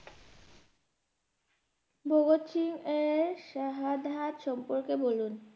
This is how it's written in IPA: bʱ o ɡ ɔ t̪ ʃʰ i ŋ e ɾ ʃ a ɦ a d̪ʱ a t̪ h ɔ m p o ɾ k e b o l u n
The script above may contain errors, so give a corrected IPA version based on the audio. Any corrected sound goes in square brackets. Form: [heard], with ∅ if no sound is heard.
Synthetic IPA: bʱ o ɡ [o] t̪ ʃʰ i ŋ e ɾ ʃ a ɦ a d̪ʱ a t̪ [ʃ] ɔ m p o ɾ k e b o l u n